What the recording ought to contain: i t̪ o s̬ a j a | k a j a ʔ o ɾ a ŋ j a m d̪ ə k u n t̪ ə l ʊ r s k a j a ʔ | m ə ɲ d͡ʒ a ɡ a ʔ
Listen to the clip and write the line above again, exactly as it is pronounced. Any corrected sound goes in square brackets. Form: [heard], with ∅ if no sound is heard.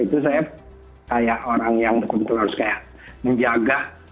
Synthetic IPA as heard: i t̪ [u] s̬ a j a | k a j a ʔ o ɾ a ŋ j a [ŋ] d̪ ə k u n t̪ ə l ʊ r s k a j a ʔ | m ə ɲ d͡ʒ a ɡ a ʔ